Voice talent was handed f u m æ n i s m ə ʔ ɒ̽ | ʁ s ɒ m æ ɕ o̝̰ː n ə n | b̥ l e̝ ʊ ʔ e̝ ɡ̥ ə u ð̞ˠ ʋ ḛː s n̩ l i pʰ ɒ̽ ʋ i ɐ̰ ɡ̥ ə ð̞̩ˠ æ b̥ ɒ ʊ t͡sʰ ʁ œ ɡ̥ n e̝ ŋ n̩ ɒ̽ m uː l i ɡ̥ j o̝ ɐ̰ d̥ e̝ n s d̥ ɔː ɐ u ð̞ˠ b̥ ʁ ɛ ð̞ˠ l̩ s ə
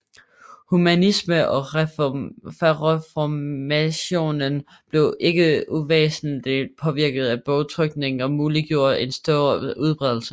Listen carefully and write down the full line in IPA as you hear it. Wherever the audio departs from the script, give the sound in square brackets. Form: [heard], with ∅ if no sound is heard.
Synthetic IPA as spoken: [h] u m æ n i s m ə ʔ ɒ̽ | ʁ [f] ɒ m æ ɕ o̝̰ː n ə n | b̥ l e̝ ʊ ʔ e̝ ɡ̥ ə u [∅] ʋ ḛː s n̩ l i pʰ ɒ̽ ʋ i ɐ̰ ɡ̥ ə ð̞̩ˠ æ b̥ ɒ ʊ t͡sʰ ʁ œ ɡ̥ n e̝ ŋ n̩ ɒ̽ m uː l i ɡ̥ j o̝ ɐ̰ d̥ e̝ n s d̥ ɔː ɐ u ð̞ˠ b̥ ʁ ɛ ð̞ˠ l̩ s ə